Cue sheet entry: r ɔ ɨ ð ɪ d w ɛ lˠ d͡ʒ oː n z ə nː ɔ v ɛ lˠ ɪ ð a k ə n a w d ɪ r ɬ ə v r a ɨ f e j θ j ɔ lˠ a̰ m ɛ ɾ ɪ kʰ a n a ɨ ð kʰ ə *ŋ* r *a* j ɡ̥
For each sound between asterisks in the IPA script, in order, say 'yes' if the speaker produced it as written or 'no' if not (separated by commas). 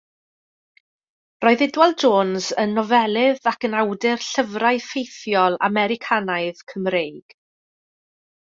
no, no